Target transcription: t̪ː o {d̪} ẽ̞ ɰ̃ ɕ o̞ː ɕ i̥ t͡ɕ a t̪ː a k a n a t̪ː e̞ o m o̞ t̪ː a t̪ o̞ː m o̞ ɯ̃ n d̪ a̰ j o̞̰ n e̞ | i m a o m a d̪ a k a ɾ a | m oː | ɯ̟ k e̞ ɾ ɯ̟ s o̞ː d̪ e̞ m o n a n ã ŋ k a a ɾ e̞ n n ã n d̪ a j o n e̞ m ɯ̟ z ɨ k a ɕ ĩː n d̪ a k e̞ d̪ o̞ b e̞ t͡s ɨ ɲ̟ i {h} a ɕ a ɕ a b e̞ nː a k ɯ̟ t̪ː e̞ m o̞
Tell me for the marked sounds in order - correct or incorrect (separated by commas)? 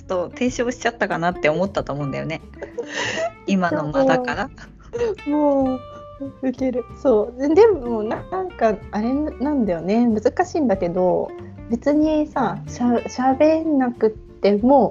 incorrect, incorrect